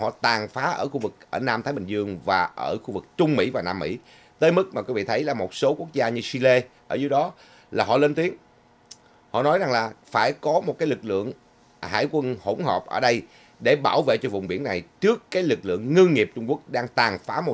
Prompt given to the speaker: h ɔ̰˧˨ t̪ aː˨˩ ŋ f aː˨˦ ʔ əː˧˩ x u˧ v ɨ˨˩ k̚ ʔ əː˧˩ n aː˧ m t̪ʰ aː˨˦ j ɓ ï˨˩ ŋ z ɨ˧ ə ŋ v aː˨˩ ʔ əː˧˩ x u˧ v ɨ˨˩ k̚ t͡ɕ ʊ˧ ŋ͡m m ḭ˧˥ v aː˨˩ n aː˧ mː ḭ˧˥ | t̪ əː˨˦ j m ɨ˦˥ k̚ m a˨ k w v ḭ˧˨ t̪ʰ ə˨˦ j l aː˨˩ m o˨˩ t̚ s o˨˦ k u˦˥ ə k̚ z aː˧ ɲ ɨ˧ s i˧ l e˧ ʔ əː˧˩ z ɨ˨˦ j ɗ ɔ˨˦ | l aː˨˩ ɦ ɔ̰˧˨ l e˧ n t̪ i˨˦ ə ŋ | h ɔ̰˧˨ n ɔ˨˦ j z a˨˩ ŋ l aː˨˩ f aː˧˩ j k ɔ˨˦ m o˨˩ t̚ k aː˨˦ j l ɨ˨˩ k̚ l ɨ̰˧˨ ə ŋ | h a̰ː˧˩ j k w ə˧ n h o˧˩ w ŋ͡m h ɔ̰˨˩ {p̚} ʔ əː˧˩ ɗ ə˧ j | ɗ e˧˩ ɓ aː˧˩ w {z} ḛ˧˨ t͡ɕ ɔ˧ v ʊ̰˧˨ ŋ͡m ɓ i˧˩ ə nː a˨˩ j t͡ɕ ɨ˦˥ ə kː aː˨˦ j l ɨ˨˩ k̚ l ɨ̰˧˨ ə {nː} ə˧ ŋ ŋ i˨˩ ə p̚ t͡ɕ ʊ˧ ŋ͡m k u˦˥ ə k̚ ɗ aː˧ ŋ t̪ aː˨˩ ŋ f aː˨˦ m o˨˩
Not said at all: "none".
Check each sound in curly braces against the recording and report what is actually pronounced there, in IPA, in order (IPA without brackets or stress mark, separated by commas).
p̚, v, ŋː